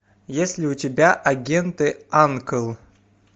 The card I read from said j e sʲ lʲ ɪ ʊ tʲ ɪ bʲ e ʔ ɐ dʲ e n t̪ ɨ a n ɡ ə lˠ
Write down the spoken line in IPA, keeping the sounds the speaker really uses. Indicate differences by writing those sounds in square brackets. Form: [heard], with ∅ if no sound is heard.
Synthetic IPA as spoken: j e sʲ lʲ ɪ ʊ tʲ ɪ bʲ [a] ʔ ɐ [ɡʲ] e n t̪ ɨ a n [k] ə lˠ